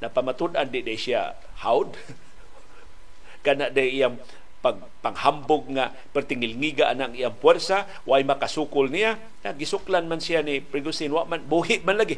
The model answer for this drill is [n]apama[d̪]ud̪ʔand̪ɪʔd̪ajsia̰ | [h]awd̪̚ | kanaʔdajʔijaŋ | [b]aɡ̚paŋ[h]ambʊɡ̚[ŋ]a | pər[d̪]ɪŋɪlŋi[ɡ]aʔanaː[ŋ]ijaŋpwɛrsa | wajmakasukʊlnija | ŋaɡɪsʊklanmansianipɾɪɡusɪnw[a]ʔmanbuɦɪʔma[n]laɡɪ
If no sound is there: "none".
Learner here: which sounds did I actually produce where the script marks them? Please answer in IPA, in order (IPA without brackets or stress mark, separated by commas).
n, t̪, h, p, h, ŋ, t̪, ɡ, ŋ, a, n